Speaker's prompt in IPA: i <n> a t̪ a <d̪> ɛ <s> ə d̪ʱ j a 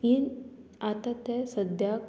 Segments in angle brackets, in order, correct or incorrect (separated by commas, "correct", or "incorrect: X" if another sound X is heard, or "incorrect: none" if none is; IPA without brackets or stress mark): correct, incorrect: t̪, correct